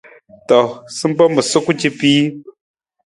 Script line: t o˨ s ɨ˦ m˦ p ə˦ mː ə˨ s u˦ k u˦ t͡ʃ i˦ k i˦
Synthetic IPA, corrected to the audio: t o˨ s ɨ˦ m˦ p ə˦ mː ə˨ s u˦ k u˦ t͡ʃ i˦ p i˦